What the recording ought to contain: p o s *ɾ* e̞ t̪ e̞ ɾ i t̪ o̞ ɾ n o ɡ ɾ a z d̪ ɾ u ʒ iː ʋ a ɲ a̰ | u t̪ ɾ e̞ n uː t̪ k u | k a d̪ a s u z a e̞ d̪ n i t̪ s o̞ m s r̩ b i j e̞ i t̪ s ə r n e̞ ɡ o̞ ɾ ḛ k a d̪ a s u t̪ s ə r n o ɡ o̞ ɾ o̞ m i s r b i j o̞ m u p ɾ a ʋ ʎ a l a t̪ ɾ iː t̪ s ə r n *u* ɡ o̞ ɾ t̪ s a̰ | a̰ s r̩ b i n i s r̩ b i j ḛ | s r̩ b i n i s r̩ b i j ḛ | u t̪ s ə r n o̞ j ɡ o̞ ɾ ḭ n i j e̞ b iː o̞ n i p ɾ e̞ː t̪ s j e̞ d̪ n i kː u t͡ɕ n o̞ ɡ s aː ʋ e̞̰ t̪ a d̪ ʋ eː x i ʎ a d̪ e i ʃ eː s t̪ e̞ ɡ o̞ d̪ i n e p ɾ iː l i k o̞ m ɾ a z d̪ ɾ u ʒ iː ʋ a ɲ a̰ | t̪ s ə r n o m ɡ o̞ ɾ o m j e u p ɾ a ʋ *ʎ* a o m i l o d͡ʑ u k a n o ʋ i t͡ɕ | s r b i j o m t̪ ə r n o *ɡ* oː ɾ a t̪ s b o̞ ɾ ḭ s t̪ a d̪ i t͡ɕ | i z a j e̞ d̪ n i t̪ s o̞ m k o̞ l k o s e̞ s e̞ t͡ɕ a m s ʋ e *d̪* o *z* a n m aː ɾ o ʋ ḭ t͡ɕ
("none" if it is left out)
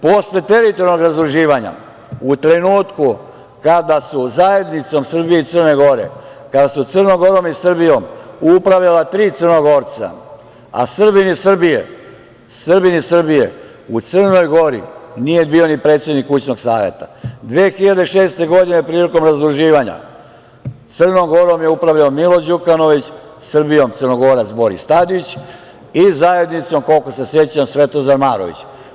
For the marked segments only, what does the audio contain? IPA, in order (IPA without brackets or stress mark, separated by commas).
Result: l, o, ʎ, ɡ, t̪, z